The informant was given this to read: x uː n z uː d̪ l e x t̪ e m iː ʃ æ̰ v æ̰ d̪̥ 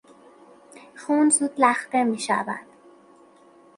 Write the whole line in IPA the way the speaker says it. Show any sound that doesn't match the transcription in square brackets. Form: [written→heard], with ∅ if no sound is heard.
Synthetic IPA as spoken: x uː n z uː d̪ l [e→æ] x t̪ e m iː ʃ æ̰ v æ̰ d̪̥